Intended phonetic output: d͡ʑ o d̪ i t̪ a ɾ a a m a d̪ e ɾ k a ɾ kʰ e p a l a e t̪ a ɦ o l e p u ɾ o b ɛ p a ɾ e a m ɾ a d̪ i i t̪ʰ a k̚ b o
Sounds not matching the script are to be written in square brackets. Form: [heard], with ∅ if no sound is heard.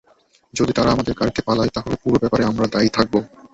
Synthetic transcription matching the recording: d͡ʑ o d̪ i t̪ a ɾ a a m a d̪ e ɾ k a ɾ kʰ e p a l a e t̪ a ɦ o l e p u ɾ o b ɛ p a ɾ e a m ɾ a d̪ [a] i t̪ʰ a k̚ b o